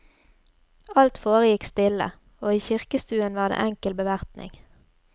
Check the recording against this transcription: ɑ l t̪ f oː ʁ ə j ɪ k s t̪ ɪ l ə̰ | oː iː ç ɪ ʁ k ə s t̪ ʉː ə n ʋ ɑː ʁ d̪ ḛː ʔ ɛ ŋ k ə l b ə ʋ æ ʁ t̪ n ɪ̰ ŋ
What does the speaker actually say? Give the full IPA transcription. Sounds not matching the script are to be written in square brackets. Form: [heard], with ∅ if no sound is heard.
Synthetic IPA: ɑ l t̪ f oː ʁ ə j ɪ k s t̪ ɪ l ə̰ | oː iː ç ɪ ʁ k ə s t̪ ʉː ə n ʋ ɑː ʁ d̪ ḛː ʔ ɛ ŋ k ə l b ə ʋ æ ʁ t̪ n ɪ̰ ŋ